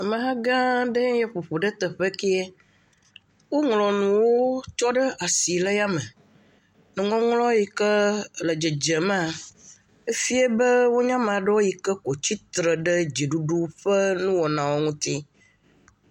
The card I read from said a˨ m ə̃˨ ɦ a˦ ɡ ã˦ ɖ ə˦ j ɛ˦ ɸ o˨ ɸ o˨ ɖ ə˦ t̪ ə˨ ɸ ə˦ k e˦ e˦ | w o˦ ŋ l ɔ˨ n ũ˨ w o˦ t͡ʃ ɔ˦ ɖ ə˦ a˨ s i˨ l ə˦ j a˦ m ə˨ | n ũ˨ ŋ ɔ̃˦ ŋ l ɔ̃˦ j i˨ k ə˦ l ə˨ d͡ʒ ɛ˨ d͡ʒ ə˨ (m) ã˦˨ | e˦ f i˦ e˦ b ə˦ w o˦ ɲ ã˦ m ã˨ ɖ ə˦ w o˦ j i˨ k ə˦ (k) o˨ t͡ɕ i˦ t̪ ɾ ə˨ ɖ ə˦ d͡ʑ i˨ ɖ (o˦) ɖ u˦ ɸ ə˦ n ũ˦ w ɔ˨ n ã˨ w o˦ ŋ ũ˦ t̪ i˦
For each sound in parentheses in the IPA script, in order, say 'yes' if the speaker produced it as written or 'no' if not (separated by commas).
yes, yes, no